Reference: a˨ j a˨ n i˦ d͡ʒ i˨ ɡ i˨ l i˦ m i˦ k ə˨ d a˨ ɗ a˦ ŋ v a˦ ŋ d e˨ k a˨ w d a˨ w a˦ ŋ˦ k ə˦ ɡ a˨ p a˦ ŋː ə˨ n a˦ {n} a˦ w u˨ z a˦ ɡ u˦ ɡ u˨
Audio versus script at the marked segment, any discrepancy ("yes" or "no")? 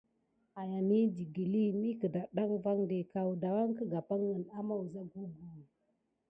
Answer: yes